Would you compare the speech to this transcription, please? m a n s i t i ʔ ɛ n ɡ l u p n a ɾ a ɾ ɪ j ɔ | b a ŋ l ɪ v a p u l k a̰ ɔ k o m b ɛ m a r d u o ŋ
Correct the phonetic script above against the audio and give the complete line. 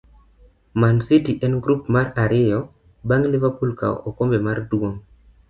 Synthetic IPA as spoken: m a n s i t i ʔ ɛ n ɡ ɾ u p m a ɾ a ɾ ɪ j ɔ | b a ŋ l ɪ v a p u l k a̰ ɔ k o m b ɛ m a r d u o ŋ